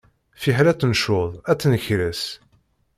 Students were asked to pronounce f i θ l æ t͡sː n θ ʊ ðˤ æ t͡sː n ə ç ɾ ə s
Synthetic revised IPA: f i ħ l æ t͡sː n ʃ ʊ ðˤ æ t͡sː n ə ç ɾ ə s